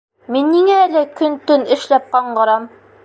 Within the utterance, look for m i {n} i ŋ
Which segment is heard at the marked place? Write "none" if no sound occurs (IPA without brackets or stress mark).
nː